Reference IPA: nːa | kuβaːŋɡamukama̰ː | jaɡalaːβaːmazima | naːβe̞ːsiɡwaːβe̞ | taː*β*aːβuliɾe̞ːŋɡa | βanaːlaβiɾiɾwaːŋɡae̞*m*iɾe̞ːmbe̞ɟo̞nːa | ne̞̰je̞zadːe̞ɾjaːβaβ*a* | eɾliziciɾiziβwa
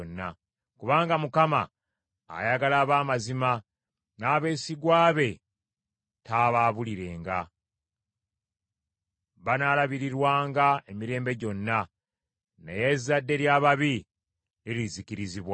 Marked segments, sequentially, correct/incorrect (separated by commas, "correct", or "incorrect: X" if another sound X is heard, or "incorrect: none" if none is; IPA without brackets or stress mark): correct, correct, incorrect: i